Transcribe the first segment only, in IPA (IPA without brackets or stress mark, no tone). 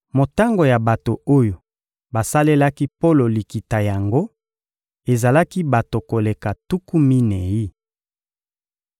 m